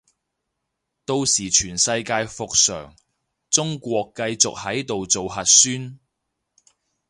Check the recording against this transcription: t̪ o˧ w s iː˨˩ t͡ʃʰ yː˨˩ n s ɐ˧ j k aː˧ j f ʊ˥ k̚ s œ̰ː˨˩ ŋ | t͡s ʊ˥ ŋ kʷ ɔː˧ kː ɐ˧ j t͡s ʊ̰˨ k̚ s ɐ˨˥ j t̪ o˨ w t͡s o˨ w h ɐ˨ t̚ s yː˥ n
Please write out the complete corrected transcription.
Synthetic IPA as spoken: t̪ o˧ w s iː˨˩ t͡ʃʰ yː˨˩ n s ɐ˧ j k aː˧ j f ʊ˨ k̚ s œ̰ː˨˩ ŋ | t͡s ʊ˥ ŋ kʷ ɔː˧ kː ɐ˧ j t͡s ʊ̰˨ k̚ h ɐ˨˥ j t̪ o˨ w t͡s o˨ w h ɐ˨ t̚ s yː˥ n